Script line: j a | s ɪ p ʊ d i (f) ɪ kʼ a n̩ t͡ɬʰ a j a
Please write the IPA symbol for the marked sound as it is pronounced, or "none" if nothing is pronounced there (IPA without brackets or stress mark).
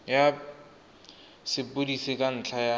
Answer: s